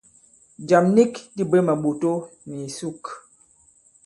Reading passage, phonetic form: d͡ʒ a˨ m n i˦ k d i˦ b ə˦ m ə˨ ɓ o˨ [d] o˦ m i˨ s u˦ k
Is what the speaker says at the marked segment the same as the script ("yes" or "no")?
no